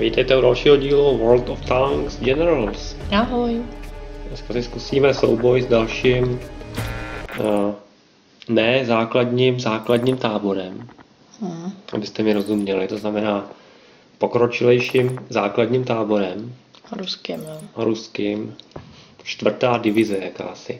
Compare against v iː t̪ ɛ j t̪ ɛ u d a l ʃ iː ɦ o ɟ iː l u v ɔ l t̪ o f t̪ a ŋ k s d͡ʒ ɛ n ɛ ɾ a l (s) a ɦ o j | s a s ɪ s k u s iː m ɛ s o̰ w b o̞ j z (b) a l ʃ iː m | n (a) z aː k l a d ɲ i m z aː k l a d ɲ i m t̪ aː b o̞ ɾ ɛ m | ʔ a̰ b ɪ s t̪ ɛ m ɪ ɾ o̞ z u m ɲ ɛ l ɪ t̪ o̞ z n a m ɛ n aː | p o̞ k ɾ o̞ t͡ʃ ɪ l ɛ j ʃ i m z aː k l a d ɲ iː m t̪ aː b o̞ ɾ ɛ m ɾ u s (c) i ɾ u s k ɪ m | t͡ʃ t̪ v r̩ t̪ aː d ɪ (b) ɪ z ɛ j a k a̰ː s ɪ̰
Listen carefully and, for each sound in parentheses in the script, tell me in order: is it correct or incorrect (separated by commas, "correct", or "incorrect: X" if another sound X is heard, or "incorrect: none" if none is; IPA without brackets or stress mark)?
correct, incorrect: d, incorrect: ɛ, incorrect: k, incorrect: v